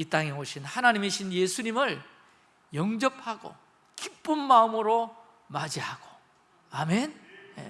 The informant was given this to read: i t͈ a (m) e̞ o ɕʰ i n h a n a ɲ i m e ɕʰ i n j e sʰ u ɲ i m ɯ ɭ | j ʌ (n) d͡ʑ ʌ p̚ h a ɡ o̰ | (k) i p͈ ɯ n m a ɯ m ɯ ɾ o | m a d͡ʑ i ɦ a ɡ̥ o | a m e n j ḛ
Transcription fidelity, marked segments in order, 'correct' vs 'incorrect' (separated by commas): incorrect, incorrect, correct